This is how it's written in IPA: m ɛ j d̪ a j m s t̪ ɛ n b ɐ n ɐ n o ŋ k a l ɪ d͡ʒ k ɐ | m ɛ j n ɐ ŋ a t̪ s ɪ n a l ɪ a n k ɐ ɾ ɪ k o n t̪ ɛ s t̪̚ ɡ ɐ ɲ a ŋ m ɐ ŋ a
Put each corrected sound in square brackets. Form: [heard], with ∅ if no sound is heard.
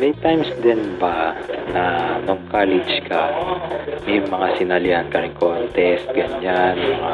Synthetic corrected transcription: m ɛ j [t̪] a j m s [d̪] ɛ n b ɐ n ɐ n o ŋ k a l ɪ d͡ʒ k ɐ | m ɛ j [m] ɐ ŋ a [∅] s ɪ n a l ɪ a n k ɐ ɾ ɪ k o n t̪ ɛ s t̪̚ ɡ ɐ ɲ a [n] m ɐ ŋ a